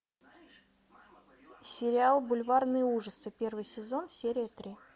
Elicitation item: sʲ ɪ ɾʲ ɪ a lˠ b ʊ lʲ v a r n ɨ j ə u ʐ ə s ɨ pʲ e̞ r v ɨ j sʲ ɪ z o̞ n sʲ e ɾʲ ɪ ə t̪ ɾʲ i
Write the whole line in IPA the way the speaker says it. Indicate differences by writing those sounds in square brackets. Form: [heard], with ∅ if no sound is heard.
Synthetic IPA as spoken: sʲ ɪ ɾʲ ɪ a lˠ b ʊ lʲ v a r n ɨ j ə u ʐ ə s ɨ pʲ e̞ r v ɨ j sʲ ɪ z o̞ n sʲ e ɾʲ ɪ ə t̪ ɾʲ i